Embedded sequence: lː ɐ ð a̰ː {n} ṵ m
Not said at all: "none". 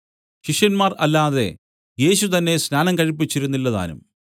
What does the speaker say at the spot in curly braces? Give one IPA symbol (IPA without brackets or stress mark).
n